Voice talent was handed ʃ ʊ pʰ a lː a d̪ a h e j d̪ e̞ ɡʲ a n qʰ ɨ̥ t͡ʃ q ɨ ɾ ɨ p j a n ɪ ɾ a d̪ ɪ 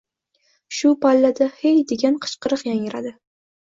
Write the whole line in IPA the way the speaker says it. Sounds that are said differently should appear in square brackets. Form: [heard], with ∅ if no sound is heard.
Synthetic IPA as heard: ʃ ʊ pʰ a lː a d̪ a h e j d̪ e̞ ɡʲ a n qʰ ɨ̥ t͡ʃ q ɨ ɾ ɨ [q] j a [ŋ] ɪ ɾ a d̪ ɪ